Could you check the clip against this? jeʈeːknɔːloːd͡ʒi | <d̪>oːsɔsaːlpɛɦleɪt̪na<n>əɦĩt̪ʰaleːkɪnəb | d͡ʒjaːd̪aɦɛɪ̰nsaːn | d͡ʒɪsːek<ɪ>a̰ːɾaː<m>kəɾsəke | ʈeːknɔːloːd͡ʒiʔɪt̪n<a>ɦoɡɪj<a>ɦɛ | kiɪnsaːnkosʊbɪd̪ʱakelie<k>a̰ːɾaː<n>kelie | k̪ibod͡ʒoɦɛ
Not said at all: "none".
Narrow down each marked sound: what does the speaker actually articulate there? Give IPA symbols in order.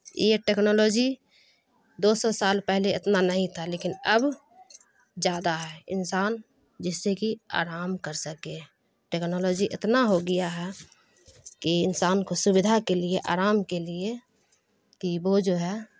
d̪, n, i, m, a, a, ʔ, m

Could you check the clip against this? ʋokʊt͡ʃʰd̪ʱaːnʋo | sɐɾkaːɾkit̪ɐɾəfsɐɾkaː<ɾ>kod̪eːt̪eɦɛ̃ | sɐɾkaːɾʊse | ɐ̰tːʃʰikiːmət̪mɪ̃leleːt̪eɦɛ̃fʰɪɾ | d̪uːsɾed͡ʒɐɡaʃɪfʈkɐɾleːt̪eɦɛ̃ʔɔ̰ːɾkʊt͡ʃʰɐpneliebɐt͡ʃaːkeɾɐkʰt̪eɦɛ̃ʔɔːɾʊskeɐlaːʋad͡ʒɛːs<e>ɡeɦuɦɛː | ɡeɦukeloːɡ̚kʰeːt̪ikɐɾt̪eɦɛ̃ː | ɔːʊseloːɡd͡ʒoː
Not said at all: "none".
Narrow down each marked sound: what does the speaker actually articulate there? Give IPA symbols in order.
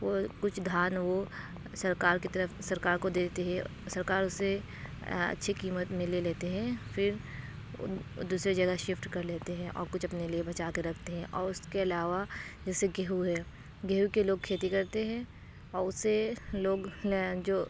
ɾ, e

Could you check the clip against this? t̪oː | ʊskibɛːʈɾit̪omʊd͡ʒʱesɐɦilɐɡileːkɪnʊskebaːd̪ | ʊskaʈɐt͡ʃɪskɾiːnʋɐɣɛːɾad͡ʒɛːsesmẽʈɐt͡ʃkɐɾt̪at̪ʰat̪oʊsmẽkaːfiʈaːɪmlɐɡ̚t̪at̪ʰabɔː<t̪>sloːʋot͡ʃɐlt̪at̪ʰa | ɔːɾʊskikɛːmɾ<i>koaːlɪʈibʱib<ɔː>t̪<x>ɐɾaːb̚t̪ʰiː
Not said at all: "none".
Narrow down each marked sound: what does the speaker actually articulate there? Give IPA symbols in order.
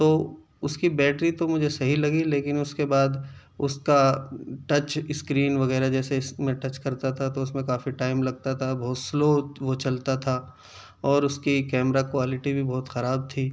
t̪, a, ɔː, x

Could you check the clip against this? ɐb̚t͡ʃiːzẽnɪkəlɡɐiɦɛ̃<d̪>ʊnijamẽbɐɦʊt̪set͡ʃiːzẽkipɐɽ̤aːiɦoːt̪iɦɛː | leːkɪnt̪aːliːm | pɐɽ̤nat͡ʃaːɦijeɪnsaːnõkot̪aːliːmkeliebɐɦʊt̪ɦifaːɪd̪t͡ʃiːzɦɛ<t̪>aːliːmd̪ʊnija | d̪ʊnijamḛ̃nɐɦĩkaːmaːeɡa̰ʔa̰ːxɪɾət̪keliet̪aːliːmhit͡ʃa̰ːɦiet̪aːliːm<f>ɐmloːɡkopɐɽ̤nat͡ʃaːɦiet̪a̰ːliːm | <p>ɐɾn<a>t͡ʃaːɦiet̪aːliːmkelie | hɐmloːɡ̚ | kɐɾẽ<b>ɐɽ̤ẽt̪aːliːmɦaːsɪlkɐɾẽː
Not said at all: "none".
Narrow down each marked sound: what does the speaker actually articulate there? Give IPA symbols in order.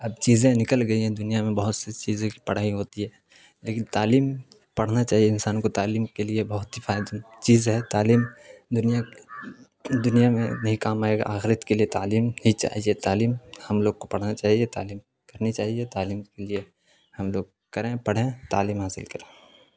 d̪, t̪, h, k, i, p

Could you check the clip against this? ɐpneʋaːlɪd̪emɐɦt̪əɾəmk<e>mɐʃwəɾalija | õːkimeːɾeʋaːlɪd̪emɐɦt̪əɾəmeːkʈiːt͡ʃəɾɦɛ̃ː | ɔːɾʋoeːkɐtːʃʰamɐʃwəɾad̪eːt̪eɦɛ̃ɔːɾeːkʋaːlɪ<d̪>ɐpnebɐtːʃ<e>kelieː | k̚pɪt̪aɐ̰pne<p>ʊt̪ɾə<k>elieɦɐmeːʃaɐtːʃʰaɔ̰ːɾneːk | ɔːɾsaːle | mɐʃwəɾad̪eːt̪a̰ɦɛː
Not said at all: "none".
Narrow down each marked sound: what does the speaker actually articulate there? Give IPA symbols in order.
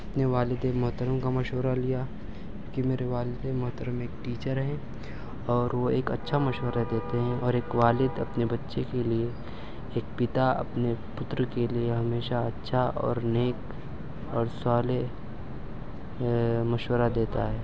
a, d̪, e, p, k

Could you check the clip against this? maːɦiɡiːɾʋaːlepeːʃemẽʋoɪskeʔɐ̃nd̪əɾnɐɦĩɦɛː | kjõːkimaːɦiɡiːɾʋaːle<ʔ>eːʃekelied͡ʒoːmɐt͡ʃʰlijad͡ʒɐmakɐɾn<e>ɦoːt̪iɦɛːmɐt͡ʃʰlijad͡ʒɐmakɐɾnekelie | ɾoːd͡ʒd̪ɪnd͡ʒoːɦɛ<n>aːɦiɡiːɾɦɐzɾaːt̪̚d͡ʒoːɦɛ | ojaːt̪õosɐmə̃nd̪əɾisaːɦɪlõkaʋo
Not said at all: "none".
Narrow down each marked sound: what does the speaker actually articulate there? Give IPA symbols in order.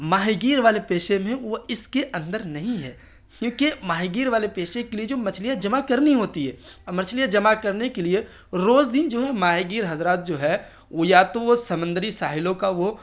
p, i, m

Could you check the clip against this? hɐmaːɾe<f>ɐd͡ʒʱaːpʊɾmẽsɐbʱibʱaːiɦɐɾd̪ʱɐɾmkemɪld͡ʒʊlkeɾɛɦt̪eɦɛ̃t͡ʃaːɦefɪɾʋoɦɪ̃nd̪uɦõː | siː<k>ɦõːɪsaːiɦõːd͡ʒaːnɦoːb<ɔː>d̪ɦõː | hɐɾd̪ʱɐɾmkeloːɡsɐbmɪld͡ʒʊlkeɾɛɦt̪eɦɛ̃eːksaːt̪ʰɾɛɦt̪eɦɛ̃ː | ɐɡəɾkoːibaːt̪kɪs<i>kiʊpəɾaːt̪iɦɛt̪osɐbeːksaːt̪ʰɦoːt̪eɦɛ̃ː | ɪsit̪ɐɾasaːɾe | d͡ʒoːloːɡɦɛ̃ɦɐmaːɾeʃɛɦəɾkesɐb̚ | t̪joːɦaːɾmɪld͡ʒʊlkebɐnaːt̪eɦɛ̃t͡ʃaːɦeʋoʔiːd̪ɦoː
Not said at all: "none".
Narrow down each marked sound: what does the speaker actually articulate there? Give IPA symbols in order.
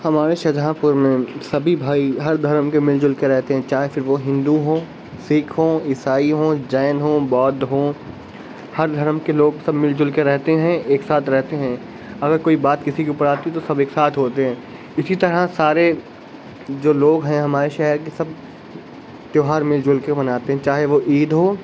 ʃ, kʰ, ɔː, i

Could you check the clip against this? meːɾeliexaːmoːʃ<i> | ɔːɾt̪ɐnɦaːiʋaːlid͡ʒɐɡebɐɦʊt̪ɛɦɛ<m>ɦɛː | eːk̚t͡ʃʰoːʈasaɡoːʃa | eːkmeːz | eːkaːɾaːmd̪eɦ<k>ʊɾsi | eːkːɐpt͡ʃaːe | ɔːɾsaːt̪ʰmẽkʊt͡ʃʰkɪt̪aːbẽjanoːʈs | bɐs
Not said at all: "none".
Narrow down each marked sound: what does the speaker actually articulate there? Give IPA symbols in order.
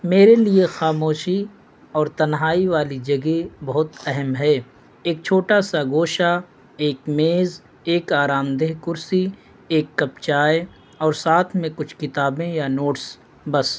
i, m, k

